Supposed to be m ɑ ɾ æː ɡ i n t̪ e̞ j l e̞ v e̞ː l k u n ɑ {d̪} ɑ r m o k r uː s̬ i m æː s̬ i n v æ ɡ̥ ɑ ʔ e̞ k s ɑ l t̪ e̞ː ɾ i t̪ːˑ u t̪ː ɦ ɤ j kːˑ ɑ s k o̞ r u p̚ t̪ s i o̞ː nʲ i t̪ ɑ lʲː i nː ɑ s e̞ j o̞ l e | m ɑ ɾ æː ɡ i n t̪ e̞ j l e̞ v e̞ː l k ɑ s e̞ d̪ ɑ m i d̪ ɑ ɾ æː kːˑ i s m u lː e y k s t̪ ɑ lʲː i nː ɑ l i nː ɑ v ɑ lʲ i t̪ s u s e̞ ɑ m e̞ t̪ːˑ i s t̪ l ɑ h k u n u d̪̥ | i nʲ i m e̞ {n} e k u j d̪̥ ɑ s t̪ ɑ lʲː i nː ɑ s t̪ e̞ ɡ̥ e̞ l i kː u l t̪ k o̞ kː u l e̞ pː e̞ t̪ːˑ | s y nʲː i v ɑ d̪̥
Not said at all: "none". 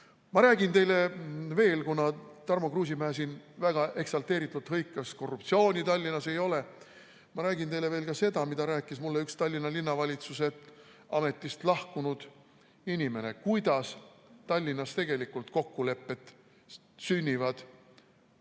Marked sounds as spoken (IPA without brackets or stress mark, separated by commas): t̪, n